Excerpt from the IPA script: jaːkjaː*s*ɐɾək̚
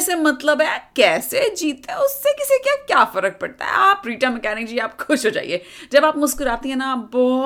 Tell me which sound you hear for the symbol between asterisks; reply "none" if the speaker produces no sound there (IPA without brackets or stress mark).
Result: f